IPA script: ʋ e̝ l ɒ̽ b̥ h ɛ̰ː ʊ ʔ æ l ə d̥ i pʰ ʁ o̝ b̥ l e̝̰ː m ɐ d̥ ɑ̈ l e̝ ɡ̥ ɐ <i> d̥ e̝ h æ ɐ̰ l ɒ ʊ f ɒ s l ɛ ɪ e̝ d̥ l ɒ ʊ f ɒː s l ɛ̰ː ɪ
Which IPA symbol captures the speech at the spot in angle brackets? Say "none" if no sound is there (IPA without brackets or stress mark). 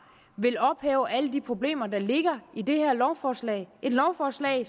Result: i